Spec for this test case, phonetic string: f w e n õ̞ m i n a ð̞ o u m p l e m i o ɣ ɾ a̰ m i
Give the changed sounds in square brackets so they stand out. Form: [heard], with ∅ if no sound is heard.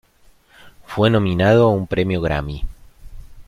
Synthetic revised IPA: f w e n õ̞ m i n a ð̞ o u m p [ɾ] e m [j] o ɣ ɾ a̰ m i